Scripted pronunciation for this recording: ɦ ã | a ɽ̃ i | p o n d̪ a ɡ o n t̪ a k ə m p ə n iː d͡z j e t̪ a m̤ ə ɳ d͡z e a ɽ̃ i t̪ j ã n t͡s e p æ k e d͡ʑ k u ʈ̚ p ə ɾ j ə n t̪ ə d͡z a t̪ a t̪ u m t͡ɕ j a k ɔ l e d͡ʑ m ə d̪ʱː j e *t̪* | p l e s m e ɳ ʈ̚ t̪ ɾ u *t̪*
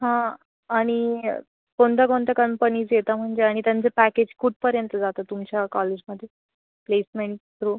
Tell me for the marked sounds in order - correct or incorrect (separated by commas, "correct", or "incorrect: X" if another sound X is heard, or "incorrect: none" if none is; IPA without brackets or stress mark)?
incorrect: none, incorrect: none